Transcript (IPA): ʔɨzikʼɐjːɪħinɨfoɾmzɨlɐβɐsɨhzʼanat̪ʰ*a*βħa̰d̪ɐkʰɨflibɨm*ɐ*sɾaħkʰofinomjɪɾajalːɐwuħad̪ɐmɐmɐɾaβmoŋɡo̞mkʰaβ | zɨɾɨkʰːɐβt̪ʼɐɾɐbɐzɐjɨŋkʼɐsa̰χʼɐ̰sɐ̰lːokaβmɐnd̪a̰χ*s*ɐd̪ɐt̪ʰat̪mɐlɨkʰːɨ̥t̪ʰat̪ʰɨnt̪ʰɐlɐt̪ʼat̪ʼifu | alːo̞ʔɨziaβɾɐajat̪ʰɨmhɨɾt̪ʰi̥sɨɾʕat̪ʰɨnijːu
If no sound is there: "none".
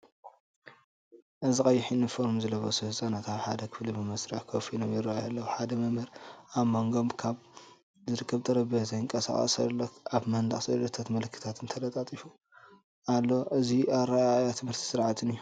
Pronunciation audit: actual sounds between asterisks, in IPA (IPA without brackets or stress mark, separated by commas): a, ɐ, s